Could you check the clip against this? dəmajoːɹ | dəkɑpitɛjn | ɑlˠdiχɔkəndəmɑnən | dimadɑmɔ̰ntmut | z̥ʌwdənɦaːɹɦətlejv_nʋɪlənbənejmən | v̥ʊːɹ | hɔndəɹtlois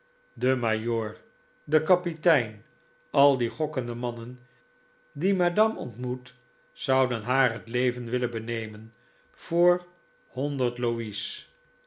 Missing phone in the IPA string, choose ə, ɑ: ə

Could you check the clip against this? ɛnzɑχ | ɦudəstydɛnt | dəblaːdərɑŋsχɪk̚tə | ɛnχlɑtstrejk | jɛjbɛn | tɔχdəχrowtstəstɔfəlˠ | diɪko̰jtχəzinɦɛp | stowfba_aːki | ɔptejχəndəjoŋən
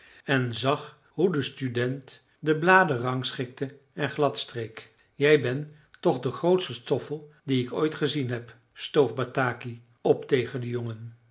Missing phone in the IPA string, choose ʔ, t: t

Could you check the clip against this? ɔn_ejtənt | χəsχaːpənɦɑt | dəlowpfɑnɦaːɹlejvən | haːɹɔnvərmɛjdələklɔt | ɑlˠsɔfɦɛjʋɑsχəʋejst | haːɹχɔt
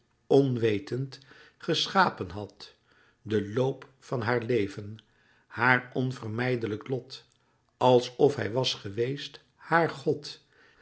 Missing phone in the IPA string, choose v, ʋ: ʋ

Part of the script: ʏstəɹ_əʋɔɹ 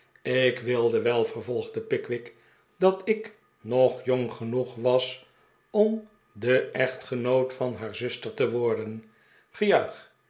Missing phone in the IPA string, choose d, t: t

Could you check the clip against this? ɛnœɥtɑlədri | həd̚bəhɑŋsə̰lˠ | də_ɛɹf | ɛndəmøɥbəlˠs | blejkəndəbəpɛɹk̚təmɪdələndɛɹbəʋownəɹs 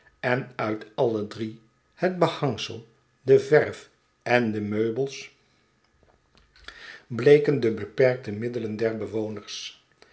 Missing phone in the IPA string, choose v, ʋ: v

